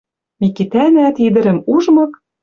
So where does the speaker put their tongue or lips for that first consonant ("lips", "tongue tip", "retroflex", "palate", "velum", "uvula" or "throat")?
lips